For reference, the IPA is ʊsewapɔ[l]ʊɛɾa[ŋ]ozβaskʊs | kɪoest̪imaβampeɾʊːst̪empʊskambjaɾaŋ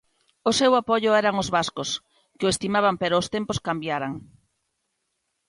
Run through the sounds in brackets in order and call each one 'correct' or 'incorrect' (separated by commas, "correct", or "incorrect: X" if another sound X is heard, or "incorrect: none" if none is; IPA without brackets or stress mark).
incorrect: ʎ, correct